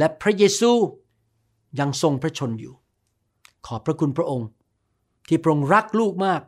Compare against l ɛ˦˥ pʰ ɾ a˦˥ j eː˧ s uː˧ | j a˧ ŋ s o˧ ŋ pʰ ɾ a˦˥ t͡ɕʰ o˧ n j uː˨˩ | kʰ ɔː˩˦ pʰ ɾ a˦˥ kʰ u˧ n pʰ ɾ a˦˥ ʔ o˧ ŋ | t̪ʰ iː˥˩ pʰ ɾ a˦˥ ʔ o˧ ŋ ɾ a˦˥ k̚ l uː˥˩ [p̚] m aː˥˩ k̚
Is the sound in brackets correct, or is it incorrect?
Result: incorrect